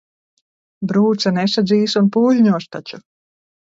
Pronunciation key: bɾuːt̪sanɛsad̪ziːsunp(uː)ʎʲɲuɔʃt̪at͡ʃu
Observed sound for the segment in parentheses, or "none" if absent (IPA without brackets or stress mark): uː